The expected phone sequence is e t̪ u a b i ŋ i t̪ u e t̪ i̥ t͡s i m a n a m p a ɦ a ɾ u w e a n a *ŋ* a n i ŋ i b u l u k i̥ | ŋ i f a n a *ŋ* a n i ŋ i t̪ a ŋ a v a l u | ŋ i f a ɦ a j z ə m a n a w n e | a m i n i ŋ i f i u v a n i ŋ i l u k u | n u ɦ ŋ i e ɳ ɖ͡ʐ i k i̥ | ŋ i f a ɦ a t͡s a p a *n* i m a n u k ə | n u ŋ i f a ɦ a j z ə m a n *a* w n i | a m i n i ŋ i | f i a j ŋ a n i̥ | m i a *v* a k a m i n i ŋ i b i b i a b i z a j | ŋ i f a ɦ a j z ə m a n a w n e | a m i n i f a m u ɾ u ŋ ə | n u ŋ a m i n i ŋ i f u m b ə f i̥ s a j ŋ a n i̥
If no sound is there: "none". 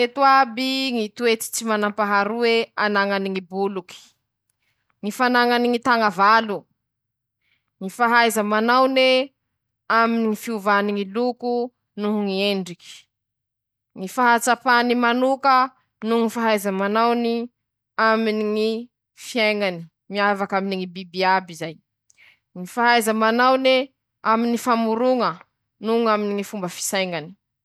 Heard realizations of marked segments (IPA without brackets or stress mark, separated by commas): ŋ, ŋ, n, a, v